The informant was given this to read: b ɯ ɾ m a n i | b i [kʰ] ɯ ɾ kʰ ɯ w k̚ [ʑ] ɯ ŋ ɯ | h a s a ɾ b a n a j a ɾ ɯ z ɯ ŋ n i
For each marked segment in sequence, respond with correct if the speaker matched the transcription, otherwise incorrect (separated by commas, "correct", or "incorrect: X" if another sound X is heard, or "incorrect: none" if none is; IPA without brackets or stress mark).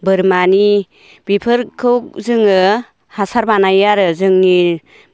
incorrect: pʰ, incorrect: z